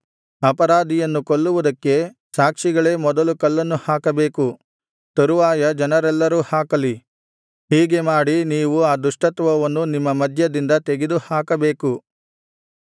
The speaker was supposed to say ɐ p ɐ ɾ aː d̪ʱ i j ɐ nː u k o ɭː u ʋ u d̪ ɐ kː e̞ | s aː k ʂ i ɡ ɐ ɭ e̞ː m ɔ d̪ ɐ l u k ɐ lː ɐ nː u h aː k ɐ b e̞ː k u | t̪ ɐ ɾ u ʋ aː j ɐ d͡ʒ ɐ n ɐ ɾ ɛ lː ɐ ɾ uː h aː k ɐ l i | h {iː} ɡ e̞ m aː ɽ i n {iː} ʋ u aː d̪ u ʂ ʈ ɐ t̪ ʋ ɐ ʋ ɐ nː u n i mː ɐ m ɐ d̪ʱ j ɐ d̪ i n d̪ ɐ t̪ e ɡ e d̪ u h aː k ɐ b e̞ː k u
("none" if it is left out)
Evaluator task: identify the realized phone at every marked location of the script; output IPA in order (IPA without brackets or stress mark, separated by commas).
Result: iː, iː